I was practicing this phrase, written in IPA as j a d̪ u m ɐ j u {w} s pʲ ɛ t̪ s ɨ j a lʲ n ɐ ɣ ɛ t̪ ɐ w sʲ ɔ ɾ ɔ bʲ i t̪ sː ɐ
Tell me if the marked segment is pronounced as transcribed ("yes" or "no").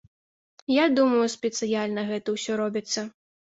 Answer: no